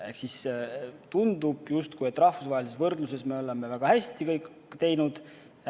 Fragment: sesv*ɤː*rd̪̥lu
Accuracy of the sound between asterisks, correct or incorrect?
incorrect: ɤ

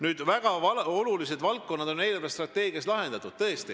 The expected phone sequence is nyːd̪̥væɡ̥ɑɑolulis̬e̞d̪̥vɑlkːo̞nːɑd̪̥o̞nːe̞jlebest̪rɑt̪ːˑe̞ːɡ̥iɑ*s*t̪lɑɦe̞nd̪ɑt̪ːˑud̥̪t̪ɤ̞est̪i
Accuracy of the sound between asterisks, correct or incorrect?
correct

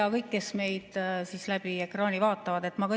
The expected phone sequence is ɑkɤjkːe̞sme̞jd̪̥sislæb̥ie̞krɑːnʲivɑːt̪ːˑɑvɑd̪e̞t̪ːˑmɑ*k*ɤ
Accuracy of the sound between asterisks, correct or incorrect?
correct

